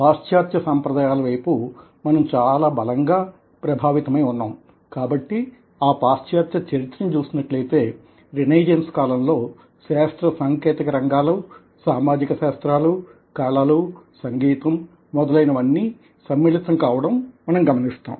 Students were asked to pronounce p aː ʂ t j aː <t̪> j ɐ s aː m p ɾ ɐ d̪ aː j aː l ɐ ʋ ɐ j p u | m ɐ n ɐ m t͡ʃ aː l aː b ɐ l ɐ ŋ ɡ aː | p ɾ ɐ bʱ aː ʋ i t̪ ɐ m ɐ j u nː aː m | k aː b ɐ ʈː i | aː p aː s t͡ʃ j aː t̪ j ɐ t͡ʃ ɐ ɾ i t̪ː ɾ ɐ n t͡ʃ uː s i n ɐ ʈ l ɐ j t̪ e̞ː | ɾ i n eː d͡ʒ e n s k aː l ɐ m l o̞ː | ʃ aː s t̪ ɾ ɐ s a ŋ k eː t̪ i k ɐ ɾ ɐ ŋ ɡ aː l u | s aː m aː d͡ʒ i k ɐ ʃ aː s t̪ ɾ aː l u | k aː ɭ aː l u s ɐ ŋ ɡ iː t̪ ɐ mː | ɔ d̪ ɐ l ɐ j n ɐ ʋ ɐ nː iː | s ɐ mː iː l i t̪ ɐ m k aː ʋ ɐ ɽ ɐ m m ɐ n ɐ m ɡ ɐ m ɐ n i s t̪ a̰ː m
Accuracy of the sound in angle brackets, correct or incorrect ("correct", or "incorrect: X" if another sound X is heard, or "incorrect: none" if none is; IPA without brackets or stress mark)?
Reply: correct